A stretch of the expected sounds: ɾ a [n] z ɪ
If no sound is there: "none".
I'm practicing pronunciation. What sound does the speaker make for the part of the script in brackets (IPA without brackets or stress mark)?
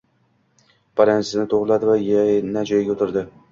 n